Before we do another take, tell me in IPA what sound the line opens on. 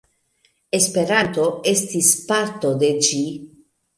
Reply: e̞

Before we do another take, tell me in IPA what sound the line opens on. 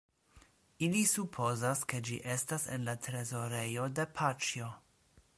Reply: i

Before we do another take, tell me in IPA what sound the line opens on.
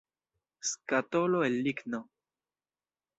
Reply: s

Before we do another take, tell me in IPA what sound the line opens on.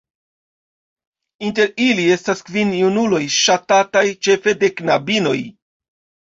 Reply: i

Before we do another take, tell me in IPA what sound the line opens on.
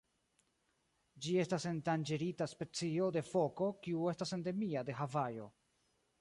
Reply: d͡ʒ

